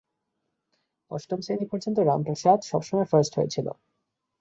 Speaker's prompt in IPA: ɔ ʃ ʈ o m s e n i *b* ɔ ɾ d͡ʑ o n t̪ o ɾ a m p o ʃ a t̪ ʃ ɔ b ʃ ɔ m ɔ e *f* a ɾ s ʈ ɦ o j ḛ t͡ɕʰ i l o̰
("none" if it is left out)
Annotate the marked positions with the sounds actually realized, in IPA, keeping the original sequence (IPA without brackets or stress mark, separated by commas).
p, f